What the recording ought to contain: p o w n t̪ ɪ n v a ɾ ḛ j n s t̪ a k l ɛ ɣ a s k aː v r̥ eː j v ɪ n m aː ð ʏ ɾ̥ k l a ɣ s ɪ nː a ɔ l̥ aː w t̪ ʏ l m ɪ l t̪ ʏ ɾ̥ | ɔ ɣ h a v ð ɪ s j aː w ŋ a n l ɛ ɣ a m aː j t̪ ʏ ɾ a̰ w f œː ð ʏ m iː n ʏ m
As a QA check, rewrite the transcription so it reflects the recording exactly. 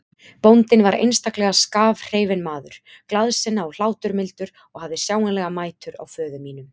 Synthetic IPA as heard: p o w n t̪ ɪ n v a ɾ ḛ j n s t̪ a k l ɛ ɣ a s k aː v r̥ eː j v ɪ n m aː ð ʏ ɾ̥ k l a ð s ɪ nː a ɔ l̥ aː w t̪ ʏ ɾ m ɪ l t̪ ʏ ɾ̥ | ɔ ɣ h a v ð ɪ s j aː w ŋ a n l ɛ ɣ a m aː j t̪ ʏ ɾ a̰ w f œː ð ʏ m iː n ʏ m